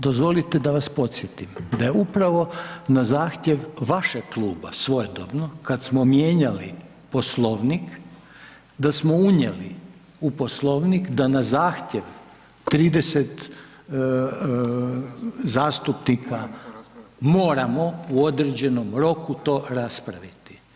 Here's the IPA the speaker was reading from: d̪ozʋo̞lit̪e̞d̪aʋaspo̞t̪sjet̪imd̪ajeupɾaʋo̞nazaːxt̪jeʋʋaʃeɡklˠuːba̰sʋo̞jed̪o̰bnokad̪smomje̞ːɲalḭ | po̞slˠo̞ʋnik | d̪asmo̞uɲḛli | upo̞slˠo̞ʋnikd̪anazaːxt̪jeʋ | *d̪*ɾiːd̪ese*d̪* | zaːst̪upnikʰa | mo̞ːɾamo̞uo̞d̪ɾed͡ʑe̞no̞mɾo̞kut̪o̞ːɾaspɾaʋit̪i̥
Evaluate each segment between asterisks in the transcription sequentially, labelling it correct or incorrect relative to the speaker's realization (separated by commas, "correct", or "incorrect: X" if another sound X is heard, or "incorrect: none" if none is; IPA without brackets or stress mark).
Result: incorrect: t̪, incorrect: t̪